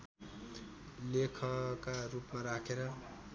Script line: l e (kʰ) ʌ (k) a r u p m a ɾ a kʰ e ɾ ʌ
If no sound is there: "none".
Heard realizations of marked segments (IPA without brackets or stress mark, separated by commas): kʰ, k